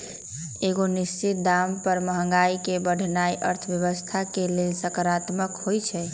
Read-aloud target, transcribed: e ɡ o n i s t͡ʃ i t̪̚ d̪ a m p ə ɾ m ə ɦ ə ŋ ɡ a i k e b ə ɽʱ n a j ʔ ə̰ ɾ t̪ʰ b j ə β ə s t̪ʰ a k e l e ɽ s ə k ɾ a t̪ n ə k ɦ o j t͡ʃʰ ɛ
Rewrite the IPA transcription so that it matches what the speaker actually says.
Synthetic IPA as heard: e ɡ o n i s t͡ʃ i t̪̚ d̪ a m p ə ɾ m ə ɦ ə ŋ ɡ a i k e b ə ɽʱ n a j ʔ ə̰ ɾ t̪ʰ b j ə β ə s t̪ʰ a k e l e l s ə k ɾ a t̪ m ə k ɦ o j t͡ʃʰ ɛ